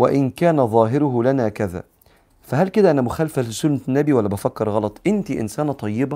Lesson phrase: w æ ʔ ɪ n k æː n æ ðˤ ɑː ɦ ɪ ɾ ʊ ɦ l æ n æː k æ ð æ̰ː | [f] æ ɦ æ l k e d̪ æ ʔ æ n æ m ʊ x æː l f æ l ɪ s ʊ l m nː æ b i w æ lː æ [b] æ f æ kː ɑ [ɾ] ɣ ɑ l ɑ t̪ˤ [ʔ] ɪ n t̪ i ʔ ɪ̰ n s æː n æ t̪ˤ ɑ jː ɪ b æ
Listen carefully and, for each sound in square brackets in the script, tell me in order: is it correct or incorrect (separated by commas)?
correct, correct, correct, correct